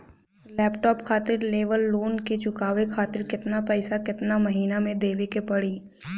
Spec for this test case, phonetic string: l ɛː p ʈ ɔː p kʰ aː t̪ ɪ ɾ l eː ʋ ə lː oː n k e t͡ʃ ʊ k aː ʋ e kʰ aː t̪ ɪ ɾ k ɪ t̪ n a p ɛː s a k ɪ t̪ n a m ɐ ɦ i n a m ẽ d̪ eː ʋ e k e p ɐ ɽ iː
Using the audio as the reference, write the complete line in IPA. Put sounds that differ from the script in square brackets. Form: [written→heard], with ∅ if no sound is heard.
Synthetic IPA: l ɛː p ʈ ɔː p kʰ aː t̪ ɪ ɾ l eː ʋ ə lː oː n k e t͡ʃ ʊ k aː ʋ e kʰ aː t̪ ɪ ɾ k ɪ t̪ n a p ɛː s a k ɪ t̪ n a m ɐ ɦ [i→iː] n a m ẽ d̪ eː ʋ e k e p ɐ ɽ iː